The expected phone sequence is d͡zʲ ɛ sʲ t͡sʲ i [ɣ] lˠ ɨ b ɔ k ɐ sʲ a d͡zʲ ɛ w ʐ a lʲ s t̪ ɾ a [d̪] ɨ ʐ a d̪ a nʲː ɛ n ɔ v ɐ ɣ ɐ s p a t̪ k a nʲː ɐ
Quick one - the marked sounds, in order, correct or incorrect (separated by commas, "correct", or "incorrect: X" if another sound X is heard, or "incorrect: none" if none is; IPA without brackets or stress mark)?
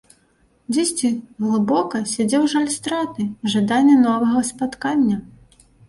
correct, incorrect: t̪